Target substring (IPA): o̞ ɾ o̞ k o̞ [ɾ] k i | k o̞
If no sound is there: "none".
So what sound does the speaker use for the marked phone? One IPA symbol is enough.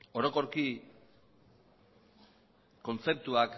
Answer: ɾ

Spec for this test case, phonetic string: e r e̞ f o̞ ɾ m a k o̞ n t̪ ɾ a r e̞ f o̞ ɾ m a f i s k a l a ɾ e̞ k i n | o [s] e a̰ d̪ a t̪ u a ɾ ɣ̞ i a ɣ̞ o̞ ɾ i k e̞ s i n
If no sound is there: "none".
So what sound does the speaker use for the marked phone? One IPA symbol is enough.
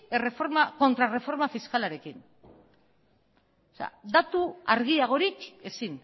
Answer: s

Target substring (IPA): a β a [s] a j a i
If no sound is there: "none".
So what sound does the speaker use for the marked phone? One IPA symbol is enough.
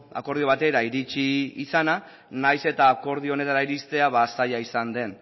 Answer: s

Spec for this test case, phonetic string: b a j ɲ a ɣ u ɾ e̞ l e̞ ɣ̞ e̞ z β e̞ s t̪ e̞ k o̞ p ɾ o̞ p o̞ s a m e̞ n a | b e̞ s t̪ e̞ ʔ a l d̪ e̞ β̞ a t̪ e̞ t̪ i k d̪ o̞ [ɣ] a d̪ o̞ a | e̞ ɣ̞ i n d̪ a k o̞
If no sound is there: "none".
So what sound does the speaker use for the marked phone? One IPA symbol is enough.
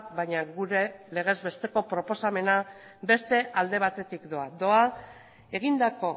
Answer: none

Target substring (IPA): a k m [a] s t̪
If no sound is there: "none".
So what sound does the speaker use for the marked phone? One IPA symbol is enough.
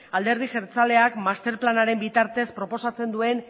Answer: a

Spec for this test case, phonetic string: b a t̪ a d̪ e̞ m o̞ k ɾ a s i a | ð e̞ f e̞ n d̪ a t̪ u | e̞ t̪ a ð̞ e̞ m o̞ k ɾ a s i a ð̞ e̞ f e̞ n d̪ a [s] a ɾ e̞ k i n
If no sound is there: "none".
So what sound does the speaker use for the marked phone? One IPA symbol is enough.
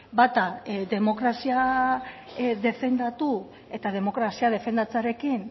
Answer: t͡s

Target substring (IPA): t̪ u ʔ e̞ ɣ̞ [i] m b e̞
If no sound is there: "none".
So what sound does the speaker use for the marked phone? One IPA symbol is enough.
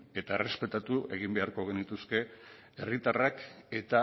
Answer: i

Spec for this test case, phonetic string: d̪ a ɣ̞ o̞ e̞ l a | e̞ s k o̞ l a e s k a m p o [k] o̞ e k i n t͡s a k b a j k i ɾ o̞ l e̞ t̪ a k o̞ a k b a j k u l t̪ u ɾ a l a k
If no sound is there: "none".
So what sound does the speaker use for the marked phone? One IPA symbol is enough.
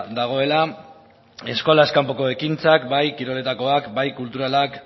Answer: k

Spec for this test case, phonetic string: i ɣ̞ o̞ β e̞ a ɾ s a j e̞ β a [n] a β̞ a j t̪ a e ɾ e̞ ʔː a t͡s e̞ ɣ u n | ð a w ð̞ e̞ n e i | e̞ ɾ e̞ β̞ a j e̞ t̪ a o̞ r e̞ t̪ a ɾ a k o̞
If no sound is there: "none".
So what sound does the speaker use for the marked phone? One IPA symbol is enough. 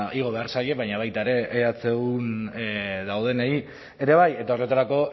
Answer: ɲ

